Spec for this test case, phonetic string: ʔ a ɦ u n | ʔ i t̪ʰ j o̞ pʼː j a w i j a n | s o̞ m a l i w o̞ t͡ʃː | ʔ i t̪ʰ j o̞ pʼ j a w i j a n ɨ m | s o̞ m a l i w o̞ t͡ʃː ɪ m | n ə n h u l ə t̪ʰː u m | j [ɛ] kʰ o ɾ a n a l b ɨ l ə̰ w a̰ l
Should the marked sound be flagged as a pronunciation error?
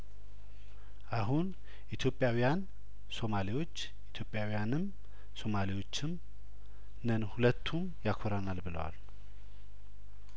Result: yes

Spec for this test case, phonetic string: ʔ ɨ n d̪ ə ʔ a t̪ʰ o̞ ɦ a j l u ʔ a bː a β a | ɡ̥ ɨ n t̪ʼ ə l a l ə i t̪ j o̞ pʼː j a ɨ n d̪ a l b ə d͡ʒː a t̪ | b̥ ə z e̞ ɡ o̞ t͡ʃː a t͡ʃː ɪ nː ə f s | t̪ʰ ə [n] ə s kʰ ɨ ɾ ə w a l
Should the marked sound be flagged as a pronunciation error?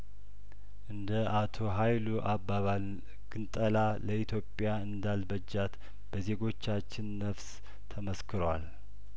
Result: yes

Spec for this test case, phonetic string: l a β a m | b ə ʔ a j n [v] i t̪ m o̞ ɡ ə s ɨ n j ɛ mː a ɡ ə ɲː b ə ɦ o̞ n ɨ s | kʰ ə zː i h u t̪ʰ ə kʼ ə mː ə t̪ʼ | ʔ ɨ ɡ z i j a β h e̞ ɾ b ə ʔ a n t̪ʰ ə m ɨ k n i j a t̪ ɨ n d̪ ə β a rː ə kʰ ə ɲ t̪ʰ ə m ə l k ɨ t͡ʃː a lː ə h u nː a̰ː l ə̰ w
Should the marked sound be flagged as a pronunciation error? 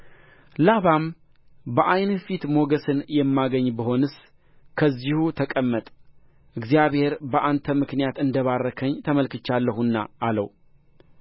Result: yes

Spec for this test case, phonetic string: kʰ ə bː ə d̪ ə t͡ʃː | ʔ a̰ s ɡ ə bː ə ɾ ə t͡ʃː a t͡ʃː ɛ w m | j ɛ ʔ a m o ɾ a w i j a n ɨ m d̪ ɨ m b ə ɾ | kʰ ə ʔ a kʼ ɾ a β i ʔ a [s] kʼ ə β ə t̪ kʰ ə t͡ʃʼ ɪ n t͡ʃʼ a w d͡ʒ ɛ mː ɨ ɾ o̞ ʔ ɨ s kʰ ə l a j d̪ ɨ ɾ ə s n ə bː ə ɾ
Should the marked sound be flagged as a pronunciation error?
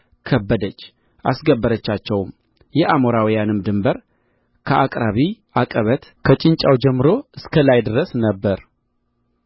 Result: yes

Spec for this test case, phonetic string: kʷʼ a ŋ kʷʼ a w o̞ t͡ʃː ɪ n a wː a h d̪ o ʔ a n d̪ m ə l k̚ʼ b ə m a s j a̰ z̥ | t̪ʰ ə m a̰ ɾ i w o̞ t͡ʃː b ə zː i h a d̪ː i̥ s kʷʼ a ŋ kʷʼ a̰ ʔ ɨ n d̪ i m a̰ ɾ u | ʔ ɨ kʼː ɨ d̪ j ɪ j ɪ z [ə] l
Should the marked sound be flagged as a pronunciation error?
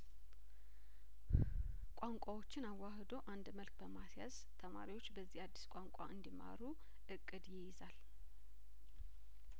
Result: yes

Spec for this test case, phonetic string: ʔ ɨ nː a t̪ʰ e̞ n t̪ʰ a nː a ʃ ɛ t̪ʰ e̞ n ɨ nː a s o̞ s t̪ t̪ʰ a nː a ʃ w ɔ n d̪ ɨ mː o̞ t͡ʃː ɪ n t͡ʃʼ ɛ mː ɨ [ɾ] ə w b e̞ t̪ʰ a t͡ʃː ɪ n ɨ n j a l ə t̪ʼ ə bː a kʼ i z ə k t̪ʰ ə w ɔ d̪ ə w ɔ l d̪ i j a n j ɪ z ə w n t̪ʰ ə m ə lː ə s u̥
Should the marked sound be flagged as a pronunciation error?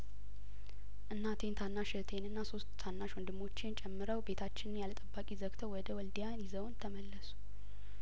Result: no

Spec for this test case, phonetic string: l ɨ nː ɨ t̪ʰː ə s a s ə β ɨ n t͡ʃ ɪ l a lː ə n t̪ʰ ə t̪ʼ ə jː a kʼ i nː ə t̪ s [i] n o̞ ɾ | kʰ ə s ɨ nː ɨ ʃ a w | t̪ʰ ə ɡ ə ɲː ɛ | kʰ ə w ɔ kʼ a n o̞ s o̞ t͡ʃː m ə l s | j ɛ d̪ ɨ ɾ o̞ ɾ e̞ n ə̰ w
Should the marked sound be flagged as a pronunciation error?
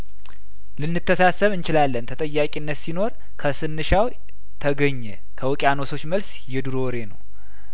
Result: no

